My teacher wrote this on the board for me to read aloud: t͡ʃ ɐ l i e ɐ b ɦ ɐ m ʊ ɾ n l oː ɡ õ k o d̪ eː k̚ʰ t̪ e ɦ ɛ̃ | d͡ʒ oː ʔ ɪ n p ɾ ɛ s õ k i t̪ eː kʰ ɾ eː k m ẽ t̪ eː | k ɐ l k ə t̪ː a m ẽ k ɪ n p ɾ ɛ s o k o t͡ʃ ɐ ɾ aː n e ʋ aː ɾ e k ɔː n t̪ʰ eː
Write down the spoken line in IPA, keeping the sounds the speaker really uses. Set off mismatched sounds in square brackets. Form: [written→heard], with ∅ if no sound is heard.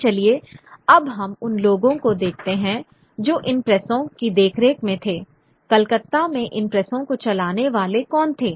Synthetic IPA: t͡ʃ ɐ l i e ɐ b ɦ ɐ m ʊ [ɾ→∅] n l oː ɡ õ k o d̪ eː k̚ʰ t̪ e ɦ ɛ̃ | d͡ʒ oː ʔ ɪ n p ɾ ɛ s õ k i [t̪→d̪] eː kʰ ɾ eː k m ẽ [t̪→t̪ʰ] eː | k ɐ l k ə t̪ː a m ẽ [k→ʔ] ɪ n p ɾ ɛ s [o→õ] k o t͡ʃ ɐ [ɾ→l] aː n e ʋ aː [ɾ→l] e k ɔː n t̪ʰ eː